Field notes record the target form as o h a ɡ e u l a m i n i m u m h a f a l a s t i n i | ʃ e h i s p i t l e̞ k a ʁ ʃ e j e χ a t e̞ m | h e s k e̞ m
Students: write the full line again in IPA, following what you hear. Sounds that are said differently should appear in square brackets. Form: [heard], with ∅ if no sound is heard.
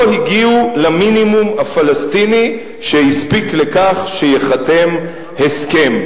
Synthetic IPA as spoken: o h [i] ɡ [i] u l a m i n i m u m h a f a l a s t i n i | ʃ e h i s p i [k] l e̞ k a [χ] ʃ e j e χ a t e̞ m | h e s k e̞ m